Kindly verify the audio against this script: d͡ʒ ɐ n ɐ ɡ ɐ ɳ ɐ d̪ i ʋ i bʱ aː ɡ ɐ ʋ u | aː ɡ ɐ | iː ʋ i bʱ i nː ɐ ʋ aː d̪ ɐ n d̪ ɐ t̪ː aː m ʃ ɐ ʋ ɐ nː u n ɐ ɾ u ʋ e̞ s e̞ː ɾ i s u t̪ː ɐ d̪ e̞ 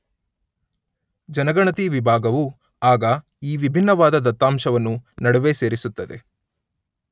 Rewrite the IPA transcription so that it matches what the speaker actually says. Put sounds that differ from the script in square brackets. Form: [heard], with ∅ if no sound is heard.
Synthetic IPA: d͡ʒ ɐ n ɐ ɡ ɐ ɳ ɐ [t̪] i ʋ i bʱ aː ɡ ɐ ʋ u | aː ɡ ɐ | iː ʋ i bʱ i nː ɐ ʋ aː d̪ ɐ [∅] d̪ ɐ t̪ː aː m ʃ ɐ ʋ ɐ nː u n ɐ [ɽ] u ʋ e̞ s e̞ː ɾ i s u t̪ː ɐ d̪ e̞